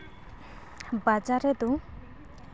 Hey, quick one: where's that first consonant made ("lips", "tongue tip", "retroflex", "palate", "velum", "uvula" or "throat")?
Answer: lips